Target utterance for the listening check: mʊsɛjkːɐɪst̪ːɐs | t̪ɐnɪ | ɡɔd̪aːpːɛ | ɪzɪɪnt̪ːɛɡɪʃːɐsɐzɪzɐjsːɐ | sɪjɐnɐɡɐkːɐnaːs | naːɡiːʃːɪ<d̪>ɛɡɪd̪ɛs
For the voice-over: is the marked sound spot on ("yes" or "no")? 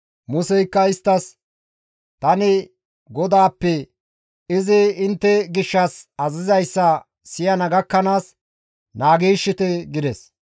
no